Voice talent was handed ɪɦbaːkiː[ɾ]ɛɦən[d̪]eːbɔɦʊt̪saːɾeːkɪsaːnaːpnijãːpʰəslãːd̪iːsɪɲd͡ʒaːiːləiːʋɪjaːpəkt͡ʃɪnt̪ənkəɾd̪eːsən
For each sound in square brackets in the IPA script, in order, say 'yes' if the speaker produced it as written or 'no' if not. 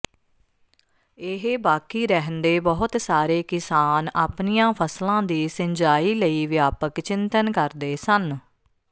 yes, yes

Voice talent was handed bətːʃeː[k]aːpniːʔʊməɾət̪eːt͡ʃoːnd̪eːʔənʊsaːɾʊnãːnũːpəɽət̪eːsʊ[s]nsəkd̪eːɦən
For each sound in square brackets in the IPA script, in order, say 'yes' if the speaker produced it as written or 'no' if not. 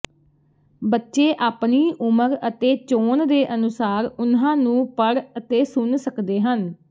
no, no

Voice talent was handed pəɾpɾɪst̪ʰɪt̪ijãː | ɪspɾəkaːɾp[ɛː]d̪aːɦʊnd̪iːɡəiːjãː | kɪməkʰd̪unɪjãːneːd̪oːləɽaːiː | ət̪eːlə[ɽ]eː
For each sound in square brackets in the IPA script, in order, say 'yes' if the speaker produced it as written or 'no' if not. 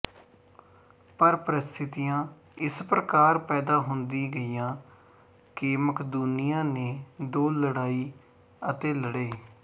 yes, yes

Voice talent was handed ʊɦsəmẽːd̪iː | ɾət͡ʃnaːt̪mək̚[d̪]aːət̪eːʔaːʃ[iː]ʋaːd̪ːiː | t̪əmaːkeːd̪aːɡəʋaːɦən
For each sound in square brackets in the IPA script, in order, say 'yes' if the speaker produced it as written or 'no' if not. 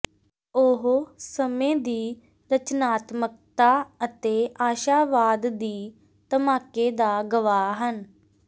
no, no

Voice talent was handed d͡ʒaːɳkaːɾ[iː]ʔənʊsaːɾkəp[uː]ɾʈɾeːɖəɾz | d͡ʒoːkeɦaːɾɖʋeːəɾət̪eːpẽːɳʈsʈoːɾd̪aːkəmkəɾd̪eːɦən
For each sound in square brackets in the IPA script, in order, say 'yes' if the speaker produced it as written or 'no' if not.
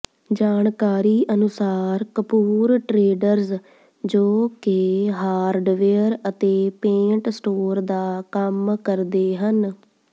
yes, yes

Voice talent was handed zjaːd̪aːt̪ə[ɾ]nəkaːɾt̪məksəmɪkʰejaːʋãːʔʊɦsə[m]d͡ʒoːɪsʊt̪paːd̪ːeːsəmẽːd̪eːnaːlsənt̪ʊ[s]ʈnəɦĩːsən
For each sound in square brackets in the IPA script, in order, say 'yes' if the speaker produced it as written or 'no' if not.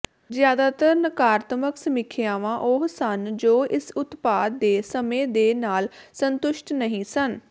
yes, no, no

